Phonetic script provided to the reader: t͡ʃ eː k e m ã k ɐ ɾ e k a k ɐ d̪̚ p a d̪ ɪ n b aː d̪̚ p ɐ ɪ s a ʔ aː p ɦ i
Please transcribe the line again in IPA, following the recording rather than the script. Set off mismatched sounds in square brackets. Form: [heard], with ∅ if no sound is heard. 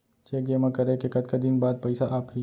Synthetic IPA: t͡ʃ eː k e m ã k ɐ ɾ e k [e] k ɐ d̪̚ [k] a d̪ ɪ n b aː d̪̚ p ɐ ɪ s a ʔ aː p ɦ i